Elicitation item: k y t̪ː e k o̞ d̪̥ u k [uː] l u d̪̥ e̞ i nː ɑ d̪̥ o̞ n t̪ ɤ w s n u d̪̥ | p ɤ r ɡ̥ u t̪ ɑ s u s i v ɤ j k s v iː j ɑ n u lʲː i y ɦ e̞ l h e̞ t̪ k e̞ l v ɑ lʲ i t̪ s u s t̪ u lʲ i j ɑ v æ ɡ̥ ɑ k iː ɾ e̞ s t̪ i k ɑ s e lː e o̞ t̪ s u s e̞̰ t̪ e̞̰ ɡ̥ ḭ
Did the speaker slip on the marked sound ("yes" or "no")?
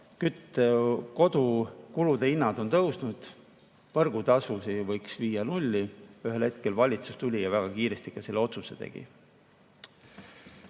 yes